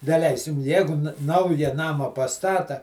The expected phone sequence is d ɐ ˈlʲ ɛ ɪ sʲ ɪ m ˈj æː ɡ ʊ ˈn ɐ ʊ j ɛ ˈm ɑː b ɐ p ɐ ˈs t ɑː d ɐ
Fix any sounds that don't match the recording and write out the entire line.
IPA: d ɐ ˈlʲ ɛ ɪ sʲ ɪ m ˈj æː ɡ ʊ ˈn ɐ ʊ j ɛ ˈn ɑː m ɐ p ɐ ˈs t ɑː t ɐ